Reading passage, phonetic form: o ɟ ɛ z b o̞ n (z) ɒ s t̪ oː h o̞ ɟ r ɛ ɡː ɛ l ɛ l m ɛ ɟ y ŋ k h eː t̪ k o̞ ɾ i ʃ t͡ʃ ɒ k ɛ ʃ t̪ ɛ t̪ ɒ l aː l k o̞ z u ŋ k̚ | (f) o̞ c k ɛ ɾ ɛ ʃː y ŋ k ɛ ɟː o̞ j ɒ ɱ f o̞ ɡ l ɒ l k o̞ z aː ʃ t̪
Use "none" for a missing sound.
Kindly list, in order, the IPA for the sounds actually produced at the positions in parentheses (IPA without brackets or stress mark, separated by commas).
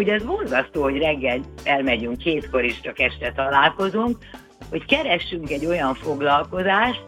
z, h